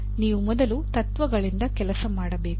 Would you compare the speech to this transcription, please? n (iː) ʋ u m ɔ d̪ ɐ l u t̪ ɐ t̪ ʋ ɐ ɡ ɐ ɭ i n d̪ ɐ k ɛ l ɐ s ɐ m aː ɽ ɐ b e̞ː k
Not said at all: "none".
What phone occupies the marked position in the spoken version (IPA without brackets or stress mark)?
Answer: iː